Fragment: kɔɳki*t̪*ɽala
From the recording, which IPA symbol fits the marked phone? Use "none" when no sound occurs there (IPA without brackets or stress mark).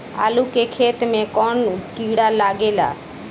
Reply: none